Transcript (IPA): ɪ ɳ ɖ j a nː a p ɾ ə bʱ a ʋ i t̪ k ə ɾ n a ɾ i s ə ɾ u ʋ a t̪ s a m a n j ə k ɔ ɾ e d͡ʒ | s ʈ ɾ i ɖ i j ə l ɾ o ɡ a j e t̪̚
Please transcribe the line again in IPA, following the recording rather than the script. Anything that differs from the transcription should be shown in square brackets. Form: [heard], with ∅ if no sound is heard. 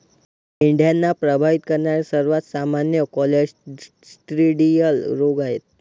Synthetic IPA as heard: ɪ ɳ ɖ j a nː a p ɾ ə bʱ a ʋ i t̪ k ə ɾ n a ɾ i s ə ɾ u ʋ a t̪ s a m a n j ə k ɔ [l] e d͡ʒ | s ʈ ɾ i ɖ i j ə l ɾ o ɡ a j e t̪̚